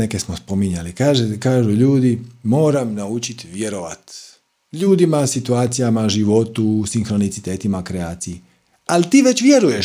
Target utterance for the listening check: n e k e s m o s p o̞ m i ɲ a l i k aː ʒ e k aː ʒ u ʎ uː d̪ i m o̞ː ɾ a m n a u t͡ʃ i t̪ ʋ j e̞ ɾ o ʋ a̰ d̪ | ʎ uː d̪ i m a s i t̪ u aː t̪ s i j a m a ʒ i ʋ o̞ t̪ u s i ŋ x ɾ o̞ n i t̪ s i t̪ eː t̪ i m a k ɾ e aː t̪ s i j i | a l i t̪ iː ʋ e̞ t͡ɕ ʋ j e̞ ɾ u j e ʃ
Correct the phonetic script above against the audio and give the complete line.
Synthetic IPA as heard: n e k e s m o s p o̞ m i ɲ a l i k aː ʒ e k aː ʒ u ʎ uː d̪ i m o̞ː ɾ a m n a u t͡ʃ i t̪ ʋ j e̞ ɾ o ʋ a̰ t̪ | ʎ uː d̪ i m a s i t̪ u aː t̪ s i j a m a ʒ i ʋ o̞ t̪ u s i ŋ x ɾ o̞ n i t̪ s i t̪ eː t̪ i m a k ɾ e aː t̪ s i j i | a l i t̪ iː ʋ e̞ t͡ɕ ʋ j e̞ ɾ u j e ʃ